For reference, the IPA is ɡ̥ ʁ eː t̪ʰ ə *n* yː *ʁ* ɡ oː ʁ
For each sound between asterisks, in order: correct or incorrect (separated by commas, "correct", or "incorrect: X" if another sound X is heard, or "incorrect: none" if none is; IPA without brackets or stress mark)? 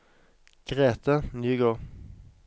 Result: correct, incorrect: none